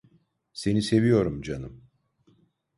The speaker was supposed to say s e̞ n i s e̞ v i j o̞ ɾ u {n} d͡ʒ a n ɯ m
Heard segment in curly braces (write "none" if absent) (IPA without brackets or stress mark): m